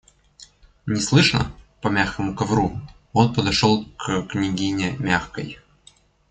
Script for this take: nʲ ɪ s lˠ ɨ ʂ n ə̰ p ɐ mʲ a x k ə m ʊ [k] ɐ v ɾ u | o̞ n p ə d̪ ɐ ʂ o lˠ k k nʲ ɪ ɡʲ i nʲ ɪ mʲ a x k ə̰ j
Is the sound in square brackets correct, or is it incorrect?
correct